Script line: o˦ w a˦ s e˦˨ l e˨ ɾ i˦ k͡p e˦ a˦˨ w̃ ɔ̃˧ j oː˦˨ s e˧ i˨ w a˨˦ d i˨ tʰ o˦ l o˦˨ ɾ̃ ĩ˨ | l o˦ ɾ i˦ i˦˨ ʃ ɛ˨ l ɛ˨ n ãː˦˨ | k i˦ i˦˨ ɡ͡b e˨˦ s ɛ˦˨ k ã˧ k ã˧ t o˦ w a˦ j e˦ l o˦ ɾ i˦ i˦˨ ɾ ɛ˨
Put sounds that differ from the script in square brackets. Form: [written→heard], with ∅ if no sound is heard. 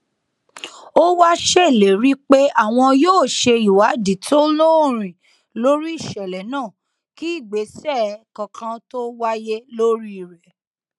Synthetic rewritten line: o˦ w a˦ [s→ʃ] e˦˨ l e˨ ɾ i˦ k͡p e˦ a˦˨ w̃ ɔ̃˧ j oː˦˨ [s→ʃ] e˧ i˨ w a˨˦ d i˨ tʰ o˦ l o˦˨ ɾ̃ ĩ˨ | l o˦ ɾ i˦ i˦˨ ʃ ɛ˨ l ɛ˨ n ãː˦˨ | k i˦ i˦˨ ɡ͡b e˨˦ s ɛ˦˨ k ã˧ k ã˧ t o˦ w a˦ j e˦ l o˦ ɾ i˦ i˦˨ ɾ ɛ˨